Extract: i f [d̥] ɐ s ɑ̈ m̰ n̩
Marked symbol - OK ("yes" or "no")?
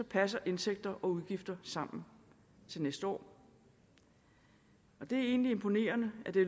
yes